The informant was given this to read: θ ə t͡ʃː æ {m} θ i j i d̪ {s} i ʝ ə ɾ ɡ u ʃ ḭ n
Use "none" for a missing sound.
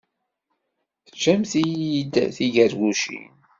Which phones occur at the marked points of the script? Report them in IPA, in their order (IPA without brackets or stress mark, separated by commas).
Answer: m, θ